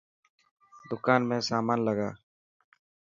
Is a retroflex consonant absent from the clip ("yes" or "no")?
yes